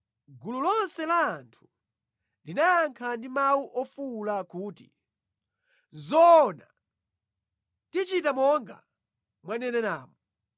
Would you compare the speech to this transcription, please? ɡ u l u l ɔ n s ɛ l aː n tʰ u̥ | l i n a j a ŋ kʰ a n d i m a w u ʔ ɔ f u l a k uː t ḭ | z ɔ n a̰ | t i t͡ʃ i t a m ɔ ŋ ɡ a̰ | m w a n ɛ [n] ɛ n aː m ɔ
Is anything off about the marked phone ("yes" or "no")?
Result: no